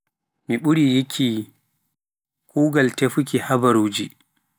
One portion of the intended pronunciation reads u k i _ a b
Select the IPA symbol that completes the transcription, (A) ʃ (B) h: B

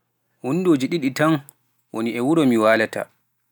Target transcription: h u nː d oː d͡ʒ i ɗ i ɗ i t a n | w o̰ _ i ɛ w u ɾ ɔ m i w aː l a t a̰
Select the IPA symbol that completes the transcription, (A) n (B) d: A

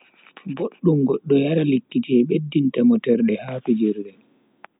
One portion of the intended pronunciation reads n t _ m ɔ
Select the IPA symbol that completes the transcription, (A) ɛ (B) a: B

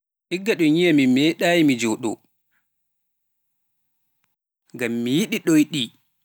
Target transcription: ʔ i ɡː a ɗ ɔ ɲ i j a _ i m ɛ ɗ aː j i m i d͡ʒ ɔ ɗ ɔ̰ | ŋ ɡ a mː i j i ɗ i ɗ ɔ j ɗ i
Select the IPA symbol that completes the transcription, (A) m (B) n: A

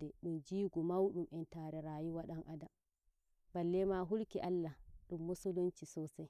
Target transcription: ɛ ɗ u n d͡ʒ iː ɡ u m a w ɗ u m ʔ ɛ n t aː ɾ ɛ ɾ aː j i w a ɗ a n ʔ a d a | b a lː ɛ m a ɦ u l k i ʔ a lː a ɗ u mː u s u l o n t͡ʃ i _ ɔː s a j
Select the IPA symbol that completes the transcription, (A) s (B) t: A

